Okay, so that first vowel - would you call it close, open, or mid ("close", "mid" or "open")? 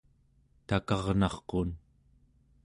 open